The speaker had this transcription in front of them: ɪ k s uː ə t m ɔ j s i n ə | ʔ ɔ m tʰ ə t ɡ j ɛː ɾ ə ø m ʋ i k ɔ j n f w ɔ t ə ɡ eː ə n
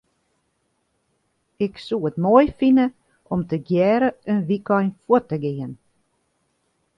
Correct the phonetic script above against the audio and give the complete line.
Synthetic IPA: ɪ k s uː ə t m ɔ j f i n ə | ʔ ɔ m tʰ ə ɡ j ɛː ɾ ə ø n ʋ i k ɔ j n f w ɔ t ə ɡ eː ə n

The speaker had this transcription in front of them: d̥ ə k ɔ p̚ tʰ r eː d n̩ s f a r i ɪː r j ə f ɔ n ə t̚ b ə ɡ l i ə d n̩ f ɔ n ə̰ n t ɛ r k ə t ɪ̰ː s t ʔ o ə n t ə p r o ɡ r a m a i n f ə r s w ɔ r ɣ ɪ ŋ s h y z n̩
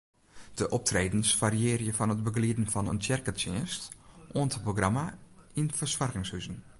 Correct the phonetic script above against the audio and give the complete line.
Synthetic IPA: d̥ ə ʔ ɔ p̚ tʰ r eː d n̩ s f a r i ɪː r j ə f ɔ n ə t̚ b ə ɡ l i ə d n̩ f ɔ n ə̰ n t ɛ r k ə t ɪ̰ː s t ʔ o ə n t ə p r o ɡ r a m a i n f ə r s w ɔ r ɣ ɪ ŋ s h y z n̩

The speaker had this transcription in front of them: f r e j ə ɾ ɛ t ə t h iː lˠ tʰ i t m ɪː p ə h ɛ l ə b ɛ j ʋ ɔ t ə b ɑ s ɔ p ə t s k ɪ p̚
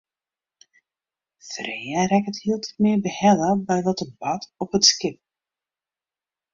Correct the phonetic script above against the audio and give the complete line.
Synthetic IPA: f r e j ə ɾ ɛ k ə t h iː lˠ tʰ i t m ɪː b ə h ɛ l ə b ɛ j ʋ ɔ t ə b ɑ t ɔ p ə t s k ɪ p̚

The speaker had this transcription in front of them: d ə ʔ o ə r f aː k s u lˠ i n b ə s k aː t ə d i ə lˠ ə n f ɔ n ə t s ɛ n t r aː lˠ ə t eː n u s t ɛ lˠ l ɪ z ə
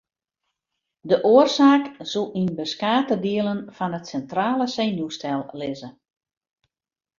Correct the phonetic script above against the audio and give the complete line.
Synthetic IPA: d ə ʔ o ə r s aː k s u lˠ i n b ə s k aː t ə d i ə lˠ ə n f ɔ n ə t s ɛ n t r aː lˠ ə s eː n u s t ɛ lˠ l ɪ z ə

